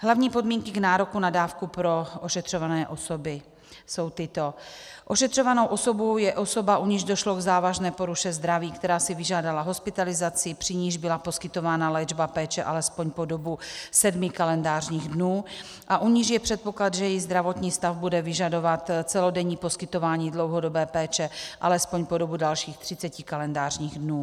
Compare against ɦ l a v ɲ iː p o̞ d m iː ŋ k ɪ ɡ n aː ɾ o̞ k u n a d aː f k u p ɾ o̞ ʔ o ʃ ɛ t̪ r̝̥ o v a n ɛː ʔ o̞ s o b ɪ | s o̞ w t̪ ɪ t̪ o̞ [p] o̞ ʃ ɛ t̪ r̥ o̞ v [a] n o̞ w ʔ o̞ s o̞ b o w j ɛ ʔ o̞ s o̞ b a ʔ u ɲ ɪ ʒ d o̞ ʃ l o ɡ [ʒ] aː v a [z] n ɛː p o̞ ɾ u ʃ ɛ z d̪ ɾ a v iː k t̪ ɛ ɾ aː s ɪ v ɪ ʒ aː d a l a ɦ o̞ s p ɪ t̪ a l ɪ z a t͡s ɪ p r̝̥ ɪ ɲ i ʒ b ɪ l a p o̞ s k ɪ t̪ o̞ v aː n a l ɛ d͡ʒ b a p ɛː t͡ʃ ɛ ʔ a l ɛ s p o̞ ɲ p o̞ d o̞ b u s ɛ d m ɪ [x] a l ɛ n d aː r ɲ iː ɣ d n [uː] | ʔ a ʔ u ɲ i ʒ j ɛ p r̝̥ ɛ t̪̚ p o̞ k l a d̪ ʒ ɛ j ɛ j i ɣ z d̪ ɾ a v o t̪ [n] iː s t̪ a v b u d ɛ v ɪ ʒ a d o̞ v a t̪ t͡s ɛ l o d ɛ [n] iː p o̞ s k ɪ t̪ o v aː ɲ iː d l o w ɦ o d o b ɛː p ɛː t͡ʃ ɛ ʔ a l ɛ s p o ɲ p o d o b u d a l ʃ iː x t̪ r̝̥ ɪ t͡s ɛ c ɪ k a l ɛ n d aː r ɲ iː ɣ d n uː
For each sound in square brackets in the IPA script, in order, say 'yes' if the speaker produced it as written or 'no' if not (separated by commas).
no, yes, no, no, no, yes, no, no